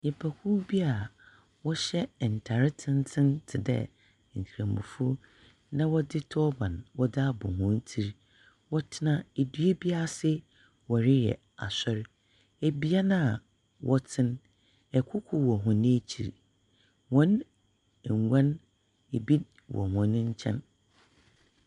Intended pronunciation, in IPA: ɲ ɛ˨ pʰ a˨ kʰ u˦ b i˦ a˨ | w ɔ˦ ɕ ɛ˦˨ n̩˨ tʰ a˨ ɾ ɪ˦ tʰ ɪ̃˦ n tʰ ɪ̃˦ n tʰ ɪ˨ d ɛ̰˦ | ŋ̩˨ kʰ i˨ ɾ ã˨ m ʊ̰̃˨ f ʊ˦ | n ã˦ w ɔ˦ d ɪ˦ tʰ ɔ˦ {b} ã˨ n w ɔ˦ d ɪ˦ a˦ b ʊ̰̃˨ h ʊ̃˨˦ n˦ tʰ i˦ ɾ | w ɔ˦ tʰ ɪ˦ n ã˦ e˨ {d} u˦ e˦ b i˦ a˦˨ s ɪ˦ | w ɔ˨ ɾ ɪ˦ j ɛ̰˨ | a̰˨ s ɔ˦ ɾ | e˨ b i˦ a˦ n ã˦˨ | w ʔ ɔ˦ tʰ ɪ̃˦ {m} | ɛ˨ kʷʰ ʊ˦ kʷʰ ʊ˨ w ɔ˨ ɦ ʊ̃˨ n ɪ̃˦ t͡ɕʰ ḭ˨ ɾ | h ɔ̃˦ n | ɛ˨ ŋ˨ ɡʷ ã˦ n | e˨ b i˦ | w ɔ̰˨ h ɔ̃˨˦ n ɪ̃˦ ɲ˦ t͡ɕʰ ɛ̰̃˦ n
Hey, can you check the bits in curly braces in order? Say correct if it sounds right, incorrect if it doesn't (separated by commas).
correct, correct, incorrect